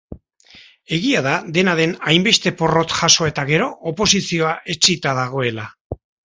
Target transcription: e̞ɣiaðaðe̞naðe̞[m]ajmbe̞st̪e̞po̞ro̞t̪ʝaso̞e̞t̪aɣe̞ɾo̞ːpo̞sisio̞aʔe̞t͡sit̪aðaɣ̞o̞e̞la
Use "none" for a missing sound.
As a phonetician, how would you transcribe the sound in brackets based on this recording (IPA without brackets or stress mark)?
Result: n